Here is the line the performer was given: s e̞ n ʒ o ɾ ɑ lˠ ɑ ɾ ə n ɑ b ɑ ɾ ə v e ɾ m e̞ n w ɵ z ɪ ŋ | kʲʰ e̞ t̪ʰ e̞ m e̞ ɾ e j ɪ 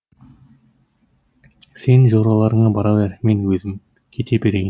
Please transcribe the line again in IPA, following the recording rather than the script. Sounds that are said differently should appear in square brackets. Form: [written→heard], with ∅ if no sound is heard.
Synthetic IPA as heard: s e̞ n ʒ o ɾ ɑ lˠ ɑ ɾ ə [n→ɴ] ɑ b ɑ ɾ [ə→ɑ] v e ɾ m e̞ n w ɵ z ɪ [ŋ→m] | kʲʰ e̞ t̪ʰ e̞ [m→b] e̞ ɾ e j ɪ